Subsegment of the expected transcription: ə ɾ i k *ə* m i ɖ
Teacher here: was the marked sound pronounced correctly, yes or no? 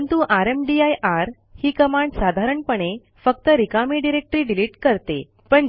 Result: no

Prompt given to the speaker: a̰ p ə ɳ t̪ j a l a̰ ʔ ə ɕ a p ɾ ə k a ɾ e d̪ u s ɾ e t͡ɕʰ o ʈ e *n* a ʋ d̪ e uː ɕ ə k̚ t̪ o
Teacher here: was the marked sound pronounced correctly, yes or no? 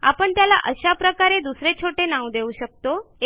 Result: yes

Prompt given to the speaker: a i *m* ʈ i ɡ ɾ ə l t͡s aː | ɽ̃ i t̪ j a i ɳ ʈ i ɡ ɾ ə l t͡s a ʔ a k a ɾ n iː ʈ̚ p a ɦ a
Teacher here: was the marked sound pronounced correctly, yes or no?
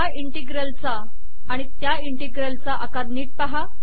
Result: no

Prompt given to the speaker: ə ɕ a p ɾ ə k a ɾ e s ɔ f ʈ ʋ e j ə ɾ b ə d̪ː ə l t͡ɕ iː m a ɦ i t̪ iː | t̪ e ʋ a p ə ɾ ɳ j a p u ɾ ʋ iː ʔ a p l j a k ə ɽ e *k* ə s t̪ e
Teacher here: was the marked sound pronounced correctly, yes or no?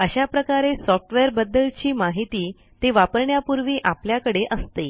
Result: no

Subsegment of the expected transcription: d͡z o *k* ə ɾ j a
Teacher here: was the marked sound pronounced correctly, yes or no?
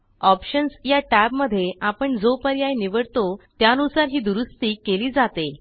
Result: no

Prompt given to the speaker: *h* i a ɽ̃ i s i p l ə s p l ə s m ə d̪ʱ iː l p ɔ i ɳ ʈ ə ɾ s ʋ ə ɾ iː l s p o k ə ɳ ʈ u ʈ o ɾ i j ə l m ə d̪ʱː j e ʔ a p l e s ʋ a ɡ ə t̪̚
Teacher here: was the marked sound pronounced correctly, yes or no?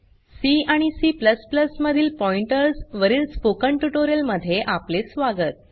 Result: no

